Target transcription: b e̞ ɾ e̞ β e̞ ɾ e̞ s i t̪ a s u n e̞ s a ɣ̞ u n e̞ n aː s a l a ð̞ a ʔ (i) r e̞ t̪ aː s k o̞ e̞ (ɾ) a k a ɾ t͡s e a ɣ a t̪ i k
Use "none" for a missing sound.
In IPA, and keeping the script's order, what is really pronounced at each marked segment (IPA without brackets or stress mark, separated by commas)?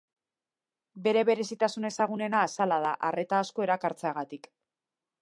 a, ɾ